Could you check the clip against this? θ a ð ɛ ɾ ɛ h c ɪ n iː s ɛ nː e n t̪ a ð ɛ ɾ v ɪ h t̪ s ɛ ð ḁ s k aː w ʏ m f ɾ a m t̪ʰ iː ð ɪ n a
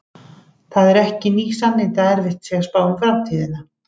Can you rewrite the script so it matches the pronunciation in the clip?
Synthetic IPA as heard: θ a ð ɛ ɾ ɛ h c ɪ n iː s a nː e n t̪ a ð ɛ ɾ v ɪ h t̪ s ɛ ɣ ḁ s p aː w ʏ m f ɾ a m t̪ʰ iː ð ɪ n a